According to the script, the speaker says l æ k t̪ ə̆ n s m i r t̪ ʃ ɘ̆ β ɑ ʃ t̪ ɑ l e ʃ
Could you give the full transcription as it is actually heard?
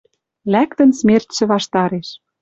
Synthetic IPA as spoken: l æ k t̪ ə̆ n s m e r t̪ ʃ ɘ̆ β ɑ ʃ t̪ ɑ ɾ e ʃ